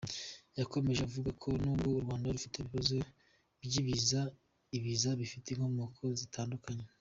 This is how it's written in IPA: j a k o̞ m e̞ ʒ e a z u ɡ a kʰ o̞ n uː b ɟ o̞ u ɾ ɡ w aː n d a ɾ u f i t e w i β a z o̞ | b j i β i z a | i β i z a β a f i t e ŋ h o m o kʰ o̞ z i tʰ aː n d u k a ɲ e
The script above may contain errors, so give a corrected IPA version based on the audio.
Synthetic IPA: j a k o̞ m e̞ ʒ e a v u ɡ a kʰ o̞ n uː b ɡ o̞ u ɾ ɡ w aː n d a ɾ u f i t e β i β a z o̞ | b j i β i z a | i β i z a β i f i t e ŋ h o m o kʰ o̞ z i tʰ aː n d u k a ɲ e